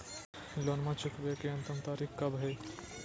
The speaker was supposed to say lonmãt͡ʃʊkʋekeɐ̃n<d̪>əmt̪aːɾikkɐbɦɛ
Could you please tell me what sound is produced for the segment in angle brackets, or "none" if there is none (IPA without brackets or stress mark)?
t̪